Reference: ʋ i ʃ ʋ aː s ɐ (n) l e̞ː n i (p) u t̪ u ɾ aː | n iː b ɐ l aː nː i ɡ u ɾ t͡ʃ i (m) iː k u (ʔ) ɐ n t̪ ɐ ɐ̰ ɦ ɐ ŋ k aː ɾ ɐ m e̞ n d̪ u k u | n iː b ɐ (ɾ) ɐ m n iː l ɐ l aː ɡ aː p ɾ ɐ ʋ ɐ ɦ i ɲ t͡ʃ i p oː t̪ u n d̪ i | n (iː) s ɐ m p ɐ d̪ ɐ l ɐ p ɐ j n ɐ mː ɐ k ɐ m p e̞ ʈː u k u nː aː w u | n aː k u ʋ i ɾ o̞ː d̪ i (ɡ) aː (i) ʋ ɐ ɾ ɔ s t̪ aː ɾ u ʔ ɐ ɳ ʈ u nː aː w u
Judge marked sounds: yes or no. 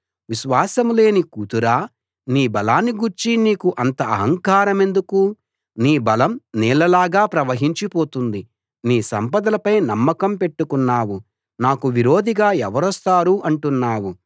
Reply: no, no, no, yes, no, yes, yes, no

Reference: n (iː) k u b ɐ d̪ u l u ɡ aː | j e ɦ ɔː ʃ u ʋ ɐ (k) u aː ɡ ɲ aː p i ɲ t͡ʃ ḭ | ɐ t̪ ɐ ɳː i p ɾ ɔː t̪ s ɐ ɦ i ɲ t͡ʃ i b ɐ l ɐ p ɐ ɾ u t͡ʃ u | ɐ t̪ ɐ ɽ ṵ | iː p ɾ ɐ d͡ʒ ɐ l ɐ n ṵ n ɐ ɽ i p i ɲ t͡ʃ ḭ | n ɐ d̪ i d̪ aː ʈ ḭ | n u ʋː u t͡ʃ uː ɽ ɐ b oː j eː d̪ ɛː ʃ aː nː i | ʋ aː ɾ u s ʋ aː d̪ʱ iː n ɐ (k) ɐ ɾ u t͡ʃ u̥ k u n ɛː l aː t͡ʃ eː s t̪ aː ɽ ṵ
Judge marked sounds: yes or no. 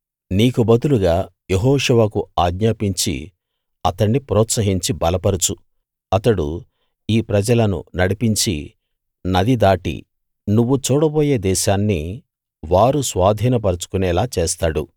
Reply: yes, yes, no

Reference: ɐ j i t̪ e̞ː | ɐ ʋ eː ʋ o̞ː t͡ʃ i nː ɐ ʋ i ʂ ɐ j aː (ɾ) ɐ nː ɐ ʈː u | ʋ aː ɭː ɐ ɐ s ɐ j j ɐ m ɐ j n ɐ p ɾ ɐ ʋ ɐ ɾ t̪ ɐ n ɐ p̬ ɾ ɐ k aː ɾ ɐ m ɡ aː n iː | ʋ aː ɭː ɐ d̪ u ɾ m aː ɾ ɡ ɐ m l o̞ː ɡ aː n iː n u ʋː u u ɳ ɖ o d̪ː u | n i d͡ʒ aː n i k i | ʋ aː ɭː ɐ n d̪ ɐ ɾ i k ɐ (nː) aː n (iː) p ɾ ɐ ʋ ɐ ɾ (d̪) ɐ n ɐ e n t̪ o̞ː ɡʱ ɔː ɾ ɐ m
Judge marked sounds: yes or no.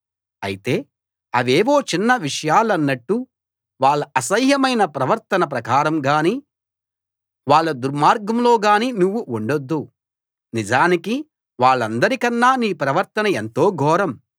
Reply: no, yes, yes, no

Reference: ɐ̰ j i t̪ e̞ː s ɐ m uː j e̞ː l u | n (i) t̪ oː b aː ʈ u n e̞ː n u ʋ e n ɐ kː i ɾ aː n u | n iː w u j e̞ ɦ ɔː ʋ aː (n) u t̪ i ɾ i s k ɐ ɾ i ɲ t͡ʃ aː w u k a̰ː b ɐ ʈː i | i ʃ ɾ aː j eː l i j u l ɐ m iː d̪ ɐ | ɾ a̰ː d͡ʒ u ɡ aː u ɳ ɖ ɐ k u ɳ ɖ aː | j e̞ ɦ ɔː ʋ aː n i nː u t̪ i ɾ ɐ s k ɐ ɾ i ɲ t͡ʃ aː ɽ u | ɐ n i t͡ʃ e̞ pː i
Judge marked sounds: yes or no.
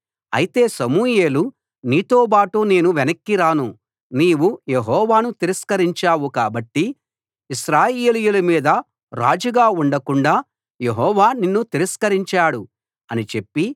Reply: no, yes

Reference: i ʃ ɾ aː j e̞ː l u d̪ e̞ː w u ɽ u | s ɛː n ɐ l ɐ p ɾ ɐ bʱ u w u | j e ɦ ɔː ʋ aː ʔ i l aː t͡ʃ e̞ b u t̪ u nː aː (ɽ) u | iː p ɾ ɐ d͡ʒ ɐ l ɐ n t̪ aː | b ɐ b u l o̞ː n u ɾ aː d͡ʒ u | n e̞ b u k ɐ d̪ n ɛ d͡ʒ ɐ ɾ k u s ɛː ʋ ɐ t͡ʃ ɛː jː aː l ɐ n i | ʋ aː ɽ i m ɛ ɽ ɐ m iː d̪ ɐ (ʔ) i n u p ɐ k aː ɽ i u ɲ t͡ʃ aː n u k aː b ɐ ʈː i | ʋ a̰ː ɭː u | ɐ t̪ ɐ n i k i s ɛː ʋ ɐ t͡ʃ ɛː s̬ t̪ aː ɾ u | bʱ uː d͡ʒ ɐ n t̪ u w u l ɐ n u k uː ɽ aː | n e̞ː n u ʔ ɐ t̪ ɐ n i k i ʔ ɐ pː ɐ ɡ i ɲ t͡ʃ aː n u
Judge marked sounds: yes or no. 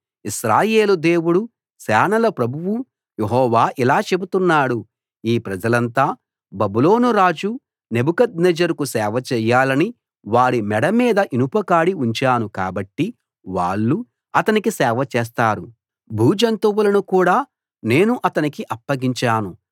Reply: yes, yes

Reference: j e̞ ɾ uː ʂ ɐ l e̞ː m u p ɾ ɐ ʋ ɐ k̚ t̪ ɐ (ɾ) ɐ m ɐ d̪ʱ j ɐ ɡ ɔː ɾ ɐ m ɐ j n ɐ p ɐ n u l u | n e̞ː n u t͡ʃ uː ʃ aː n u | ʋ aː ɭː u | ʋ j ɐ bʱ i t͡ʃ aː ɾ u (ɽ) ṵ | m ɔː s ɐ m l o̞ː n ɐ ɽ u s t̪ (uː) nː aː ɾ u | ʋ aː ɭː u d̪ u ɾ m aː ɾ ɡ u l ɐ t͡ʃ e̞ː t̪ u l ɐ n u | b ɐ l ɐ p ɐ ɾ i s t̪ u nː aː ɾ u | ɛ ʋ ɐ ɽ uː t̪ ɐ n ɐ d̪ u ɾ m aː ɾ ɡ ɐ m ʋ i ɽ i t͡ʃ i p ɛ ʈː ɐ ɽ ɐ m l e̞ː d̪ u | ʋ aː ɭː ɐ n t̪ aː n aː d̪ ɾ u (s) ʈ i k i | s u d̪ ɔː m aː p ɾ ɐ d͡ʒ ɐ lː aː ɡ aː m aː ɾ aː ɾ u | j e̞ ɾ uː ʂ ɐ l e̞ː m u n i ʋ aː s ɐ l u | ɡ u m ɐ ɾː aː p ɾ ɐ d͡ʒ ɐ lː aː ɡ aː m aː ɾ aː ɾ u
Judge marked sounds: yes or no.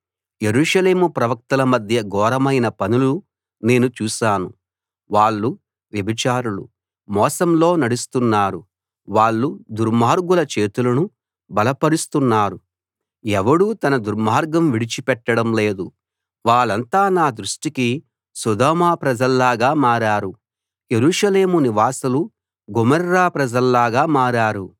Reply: no, no, no, no

